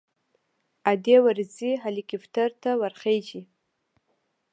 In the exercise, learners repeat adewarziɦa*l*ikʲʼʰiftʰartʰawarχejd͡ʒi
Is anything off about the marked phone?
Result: no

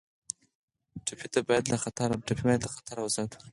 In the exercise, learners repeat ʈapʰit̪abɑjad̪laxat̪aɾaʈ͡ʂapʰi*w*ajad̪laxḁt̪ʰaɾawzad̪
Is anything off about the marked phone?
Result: yes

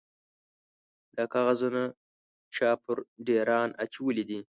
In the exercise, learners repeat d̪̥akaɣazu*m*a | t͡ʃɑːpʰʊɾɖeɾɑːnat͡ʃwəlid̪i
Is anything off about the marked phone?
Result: yes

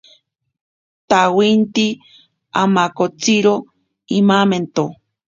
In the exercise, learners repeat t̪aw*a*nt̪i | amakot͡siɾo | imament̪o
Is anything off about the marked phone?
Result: yes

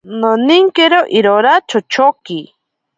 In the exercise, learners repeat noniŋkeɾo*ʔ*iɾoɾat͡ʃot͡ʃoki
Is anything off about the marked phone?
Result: no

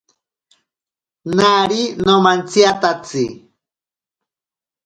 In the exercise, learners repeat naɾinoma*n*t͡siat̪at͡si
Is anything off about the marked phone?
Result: no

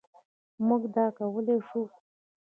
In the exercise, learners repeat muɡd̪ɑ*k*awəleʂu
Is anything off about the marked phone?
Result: no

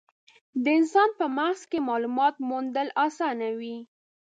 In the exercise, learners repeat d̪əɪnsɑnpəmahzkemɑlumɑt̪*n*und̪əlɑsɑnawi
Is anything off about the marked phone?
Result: yes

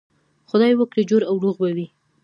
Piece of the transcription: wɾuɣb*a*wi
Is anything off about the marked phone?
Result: no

